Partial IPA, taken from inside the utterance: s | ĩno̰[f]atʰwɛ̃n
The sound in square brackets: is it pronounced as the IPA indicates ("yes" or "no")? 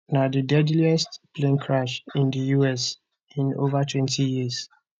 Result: no